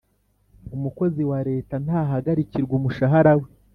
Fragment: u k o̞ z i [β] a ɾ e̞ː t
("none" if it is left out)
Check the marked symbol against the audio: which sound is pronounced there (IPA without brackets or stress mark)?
w